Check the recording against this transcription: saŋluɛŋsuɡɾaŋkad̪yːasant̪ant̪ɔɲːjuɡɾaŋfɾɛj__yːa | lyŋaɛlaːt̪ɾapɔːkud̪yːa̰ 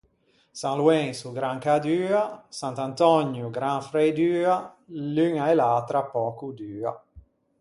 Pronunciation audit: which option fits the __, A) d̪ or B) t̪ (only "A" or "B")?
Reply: A